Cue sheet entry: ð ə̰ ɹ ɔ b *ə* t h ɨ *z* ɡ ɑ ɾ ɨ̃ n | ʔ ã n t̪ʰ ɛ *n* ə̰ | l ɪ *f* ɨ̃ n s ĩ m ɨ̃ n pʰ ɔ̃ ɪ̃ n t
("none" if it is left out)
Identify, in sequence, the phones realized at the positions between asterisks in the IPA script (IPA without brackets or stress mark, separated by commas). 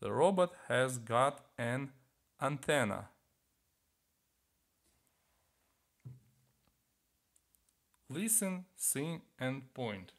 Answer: ə, z, n, s